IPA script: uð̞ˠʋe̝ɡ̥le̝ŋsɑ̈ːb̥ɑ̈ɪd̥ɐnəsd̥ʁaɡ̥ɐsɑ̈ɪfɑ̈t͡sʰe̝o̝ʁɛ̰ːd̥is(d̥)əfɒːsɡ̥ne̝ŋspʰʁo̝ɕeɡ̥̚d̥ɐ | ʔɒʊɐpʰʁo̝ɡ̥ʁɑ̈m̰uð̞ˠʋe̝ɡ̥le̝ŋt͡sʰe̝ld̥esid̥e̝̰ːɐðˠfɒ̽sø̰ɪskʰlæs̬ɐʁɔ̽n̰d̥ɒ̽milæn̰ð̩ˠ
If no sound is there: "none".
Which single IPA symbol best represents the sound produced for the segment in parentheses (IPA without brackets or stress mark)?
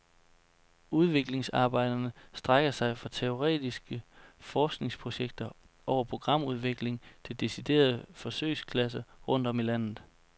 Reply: ɡ̥